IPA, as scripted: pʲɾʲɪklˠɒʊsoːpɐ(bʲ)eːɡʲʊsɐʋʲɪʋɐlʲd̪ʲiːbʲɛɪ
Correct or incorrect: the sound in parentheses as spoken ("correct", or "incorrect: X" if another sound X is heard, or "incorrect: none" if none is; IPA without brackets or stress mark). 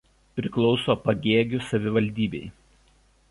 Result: incorrect: ɡʲ